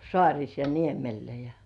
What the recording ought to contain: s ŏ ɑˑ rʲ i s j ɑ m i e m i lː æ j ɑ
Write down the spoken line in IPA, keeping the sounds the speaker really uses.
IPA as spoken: s ŏ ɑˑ rʲ i s j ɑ n i e m e lː æ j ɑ